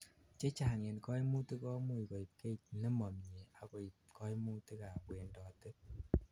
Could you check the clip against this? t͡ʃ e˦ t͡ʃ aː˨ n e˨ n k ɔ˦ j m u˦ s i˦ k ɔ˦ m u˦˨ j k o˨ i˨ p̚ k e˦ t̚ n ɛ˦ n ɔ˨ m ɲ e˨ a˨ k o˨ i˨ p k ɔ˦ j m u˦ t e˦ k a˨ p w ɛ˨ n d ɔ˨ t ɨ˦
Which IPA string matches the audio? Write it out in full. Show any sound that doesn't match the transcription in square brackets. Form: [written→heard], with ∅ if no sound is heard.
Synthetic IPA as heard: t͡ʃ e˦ t͡ʃ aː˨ [n→ŋ] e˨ n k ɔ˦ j m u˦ [s→t] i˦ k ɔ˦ m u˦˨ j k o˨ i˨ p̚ k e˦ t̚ n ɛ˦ [n→m] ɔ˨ m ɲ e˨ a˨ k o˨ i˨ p k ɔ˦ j m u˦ t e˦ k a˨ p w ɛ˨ n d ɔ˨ t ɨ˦